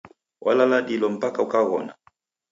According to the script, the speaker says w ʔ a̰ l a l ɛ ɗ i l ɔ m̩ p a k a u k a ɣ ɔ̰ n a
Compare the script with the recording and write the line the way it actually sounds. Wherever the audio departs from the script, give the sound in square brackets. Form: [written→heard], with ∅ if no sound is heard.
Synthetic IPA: w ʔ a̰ l a l [ɛ→a] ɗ i l ɔ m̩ p a k a u k a ɣ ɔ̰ n a